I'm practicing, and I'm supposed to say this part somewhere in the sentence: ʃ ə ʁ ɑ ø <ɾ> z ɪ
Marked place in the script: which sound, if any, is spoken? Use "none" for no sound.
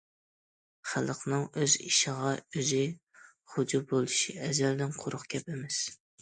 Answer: none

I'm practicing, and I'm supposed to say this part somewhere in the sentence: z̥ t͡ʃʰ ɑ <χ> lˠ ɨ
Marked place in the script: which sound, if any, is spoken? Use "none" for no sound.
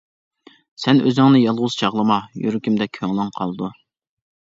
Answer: ʁ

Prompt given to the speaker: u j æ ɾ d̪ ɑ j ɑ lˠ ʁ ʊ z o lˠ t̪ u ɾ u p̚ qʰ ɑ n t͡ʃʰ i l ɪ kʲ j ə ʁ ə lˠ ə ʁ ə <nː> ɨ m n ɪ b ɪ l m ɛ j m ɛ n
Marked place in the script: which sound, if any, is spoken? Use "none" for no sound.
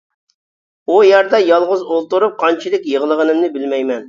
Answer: n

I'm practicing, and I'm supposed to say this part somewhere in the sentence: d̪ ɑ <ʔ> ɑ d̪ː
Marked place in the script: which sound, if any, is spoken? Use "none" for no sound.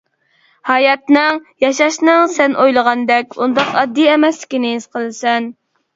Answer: q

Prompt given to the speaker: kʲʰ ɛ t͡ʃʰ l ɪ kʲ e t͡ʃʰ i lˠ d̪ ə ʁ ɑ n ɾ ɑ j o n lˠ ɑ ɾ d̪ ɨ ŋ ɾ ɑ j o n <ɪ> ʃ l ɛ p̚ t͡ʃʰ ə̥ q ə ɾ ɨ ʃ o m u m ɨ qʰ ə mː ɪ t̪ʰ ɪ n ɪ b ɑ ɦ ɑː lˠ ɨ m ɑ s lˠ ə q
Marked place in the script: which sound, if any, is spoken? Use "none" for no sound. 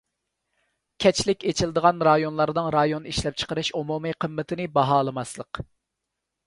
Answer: i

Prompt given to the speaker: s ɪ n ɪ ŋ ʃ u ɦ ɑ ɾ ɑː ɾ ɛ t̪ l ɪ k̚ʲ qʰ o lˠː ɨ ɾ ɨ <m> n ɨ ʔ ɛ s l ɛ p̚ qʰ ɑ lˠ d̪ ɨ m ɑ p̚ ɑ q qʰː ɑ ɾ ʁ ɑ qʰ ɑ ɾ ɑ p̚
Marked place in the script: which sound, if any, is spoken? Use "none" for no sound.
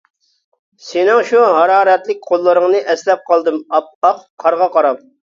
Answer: ŋ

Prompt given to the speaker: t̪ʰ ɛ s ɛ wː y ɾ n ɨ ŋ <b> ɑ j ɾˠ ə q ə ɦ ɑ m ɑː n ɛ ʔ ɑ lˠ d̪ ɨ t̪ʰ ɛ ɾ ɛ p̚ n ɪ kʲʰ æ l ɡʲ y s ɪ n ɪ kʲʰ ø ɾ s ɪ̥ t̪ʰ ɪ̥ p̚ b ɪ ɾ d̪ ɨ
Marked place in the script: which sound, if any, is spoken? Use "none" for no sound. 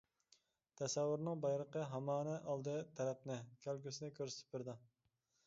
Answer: b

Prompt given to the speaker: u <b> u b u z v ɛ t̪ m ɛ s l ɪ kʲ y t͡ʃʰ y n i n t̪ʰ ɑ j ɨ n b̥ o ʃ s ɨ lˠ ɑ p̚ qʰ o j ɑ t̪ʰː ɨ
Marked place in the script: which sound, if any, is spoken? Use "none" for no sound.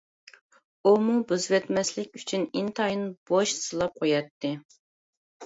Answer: m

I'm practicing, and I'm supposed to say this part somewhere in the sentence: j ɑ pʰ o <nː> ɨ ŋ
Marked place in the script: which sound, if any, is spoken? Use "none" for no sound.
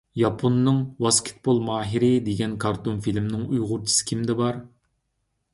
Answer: nː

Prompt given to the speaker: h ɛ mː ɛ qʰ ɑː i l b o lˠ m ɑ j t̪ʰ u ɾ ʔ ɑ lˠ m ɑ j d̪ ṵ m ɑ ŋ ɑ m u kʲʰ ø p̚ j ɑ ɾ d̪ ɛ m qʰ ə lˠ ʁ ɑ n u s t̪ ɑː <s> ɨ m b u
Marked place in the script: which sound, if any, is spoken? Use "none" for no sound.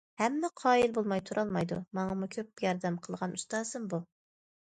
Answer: s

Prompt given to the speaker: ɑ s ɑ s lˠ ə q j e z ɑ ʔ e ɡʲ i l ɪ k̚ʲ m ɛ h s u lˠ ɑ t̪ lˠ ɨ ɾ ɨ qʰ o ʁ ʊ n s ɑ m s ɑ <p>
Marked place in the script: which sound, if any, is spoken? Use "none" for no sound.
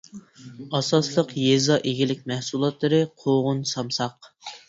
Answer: q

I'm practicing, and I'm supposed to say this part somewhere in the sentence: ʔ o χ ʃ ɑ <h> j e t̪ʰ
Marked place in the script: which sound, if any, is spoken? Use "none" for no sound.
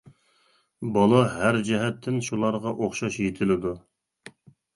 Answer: ʃ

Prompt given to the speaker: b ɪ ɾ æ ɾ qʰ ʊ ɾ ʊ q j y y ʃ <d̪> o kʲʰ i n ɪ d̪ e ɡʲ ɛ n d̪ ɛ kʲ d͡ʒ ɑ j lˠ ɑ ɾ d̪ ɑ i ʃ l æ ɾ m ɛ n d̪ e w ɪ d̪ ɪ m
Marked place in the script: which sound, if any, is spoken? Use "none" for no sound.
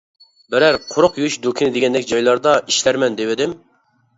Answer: d̪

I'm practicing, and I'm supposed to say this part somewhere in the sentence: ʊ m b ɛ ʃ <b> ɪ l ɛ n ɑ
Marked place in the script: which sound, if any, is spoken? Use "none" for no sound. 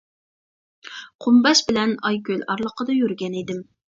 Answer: b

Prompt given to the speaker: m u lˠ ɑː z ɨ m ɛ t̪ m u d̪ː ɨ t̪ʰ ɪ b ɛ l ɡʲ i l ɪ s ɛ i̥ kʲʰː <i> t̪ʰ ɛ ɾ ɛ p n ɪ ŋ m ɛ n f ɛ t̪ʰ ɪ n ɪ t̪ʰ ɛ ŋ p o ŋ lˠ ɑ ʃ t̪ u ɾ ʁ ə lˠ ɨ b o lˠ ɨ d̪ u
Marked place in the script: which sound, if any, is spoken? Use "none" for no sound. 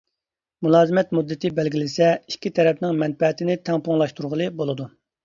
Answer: i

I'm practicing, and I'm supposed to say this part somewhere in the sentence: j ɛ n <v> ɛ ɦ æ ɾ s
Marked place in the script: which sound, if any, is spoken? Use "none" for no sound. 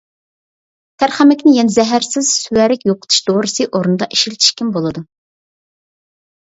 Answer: z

